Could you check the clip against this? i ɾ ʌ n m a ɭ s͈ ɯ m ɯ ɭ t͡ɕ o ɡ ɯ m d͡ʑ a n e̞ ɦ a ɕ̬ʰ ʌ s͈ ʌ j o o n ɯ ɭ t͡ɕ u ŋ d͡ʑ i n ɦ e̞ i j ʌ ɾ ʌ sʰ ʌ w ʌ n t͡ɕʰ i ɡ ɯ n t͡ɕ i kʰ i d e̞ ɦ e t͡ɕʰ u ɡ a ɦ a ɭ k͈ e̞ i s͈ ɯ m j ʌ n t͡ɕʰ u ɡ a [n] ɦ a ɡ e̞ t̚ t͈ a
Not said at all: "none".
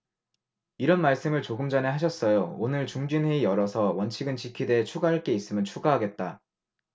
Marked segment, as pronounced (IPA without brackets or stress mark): none